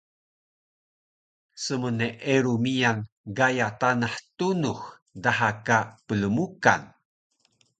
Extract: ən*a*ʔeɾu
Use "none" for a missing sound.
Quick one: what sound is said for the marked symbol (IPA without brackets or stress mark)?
e